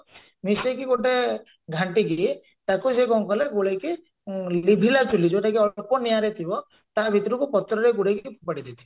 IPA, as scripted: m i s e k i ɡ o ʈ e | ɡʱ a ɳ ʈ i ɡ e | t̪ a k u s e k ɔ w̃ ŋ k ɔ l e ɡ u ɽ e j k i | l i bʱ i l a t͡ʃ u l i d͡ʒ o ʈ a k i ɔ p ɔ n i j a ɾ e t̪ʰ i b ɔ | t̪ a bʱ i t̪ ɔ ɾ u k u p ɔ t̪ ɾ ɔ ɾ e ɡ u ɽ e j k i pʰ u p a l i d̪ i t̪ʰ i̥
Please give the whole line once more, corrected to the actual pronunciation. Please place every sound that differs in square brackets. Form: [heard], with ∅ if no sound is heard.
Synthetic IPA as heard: m i s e k i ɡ o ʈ e | ɡʱ a ɳ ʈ i ɡ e | t̪ a k u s e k ɔ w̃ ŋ k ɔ l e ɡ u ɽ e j k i | l i bʱ i l a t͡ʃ u l i d͡ʒ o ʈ a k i ɔ p ɔ n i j a ɾ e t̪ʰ i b ɔ | t̪ a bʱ i t̪ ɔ ɾ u k u p ɔ t̪ ɾ ɔ ɾ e ɡ u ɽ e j k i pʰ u p a [ɽ] i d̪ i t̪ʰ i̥